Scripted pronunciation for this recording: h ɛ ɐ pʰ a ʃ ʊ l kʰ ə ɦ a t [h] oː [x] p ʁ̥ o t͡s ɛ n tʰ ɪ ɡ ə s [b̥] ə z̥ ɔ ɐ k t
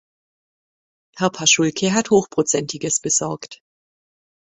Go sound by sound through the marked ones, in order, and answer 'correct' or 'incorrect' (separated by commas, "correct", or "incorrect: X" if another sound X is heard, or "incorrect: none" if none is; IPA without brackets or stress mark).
correct, correct, correct